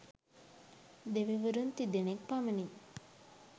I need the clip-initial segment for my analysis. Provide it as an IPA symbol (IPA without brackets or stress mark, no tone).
d̪